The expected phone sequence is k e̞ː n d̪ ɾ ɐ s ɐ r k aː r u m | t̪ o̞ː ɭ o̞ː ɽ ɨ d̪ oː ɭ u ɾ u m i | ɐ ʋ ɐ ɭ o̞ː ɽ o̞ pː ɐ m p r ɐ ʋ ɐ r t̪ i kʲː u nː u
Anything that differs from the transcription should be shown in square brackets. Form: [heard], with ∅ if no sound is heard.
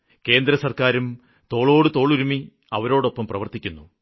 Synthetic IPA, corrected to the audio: k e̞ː n d̪ ɾ ɐ s ɐ r k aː [ɾ] u m | t̪ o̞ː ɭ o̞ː ɽ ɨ [t̪] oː ɭ u ɾ u m i | ɐ ʋ ɐ [ɾ] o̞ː ɽ o̞ pː ɐ m p r ɐ ʋ ɐ r t̪ i kʲː u nː u